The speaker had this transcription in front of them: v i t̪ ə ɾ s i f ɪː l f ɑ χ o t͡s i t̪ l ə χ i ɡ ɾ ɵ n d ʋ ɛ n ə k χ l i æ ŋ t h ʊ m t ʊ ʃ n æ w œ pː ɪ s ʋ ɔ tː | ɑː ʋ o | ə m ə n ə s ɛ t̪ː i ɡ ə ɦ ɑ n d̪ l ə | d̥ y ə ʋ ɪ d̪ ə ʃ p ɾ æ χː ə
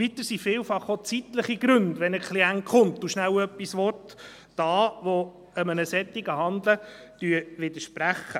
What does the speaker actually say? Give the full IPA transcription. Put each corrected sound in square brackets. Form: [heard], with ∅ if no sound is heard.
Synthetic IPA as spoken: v i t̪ ə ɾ s i f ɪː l f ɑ χ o t͡s i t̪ l ə χ i ɡ ɾ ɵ n d ʋ ɛ n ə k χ l i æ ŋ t [χ] ʊ m t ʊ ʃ n æ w œ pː [i] s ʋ ɔ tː | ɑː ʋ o | ə m ə n ə s ɛ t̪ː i ɡ ə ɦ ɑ n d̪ l ə | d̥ y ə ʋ ɪ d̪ ə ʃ p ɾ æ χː ə